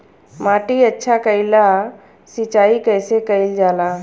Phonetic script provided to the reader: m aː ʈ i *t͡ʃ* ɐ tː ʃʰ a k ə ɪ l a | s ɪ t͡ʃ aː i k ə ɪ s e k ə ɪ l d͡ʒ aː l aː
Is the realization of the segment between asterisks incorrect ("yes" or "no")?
yes